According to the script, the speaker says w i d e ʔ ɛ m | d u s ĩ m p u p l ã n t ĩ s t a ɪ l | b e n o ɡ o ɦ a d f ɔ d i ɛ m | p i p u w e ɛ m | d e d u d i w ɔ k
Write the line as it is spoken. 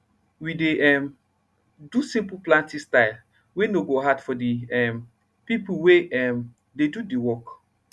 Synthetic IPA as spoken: w i d e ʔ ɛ m | d u s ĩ m p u p l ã n t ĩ s t a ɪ l | w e n o ɡ o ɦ a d f ɔ d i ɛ m | p i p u w e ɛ m | d e d u d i w ɔ k